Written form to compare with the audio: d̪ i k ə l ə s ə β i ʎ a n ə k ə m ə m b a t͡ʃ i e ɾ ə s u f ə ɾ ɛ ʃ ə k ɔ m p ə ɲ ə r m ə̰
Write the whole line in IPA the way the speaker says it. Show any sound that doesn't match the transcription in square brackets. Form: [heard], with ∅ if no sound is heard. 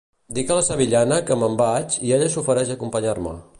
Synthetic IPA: d̪ i k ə l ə s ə β i ʎ a n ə k ə m ə m b a t͡ʃ i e [ʎ] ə s u f ə ɾ ɛ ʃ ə k [u] m p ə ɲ [a] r m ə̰